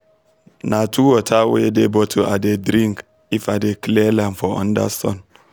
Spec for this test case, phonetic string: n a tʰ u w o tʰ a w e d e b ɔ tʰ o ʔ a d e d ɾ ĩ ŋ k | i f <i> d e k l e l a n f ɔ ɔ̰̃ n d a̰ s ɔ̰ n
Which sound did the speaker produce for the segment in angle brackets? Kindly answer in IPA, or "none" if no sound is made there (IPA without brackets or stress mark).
a